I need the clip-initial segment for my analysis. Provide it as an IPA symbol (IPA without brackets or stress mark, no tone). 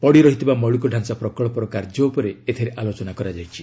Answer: p